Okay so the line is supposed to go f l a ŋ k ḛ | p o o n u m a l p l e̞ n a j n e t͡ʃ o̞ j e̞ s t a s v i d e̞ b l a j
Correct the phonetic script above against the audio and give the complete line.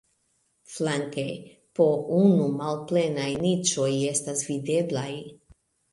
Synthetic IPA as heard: f l a ŋ k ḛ | p o u n u m a l p l e̞ n a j n i t͡ʃ o̞ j e̞ s t a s v i d e̞ b l a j